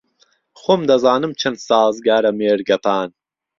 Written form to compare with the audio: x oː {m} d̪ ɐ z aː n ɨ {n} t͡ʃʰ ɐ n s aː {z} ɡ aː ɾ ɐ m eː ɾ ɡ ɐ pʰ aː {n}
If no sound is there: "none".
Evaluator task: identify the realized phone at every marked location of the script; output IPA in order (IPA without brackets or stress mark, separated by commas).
m, m, z, n